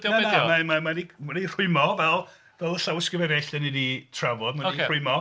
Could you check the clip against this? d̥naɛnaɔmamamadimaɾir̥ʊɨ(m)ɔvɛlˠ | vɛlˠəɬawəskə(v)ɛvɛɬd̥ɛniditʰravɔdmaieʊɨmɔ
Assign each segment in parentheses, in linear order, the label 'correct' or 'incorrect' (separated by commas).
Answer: correct, correct